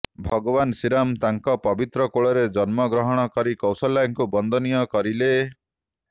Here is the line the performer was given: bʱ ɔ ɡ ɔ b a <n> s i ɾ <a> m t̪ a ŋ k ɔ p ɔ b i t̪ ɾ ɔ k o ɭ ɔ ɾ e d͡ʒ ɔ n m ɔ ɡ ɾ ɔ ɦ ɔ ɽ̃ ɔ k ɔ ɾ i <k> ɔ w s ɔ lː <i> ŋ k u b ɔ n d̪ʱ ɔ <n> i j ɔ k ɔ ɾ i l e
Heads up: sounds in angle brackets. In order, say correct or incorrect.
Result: correct, correct, correct, incorrect, correct

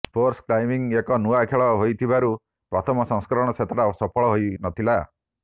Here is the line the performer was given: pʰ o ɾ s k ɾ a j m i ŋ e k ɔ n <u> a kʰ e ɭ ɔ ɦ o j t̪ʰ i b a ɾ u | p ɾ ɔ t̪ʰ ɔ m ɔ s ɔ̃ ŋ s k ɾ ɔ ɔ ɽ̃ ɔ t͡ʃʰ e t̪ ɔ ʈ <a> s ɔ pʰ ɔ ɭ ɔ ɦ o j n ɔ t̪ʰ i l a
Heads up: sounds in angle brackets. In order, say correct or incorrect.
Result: correct, correct

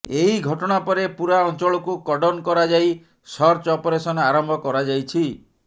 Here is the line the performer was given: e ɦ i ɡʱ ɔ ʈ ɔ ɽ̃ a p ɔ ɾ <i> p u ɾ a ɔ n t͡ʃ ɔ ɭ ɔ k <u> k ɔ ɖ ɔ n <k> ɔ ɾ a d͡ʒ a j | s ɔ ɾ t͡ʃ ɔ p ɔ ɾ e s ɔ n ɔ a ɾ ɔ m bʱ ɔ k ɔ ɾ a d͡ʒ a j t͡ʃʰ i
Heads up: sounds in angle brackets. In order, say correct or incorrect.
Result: incorrect, correct, correct

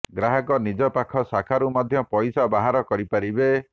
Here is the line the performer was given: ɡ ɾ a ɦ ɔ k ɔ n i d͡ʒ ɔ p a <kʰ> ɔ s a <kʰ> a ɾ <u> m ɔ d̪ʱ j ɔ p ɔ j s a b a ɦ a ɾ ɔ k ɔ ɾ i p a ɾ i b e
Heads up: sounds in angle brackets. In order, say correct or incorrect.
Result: correct, correct, correct

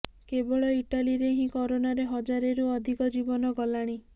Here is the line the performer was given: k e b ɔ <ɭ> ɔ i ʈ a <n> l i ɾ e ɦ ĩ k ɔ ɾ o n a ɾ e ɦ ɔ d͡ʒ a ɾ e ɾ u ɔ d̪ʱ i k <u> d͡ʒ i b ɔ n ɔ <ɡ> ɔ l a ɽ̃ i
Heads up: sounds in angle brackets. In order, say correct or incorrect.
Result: correct, incorrect, incorrect, correct

